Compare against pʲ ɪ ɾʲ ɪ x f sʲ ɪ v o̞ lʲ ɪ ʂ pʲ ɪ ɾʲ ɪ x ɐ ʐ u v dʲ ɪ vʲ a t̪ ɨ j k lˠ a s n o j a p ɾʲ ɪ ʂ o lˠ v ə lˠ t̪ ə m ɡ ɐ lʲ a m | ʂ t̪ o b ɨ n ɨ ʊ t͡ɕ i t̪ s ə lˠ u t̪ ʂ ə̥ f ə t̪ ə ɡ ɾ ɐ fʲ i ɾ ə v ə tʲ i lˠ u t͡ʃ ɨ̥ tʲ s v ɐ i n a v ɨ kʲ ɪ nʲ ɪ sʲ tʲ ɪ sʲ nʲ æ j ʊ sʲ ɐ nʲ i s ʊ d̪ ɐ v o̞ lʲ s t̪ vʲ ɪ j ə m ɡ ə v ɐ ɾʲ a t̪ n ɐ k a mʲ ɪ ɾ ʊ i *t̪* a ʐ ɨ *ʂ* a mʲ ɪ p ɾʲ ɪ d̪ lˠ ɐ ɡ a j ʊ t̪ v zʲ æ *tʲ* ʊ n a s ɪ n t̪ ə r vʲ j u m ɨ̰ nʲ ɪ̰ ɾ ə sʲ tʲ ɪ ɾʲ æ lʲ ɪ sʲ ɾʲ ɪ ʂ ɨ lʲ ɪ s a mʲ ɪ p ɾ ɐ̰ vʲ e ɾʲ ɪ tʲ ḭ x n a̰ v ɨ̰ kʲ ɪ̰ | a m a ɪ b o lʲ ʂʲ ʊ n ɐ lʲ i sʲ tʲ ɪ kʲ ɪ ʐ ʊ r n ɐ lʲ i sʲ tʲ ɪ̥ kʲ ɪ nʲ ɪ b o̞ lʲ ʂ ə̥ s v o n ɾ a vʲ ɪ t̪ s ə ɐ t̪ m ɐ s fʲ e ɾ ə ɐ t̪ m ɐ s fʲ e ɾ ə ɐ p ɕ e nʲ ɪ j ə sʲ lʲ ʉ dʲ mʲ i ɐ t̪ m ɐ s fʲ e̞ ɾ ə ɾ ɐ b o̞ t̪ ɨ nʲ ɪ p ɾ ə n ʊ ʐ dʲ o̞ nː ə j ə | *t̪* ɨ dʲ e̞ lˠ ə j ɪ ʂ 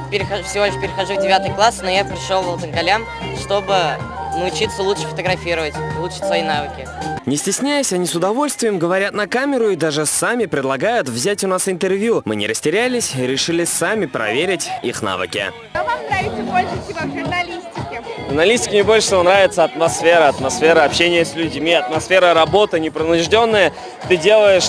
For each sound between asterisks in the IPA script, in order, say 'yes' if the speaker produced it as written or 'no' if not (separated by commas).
no, no, yes, yes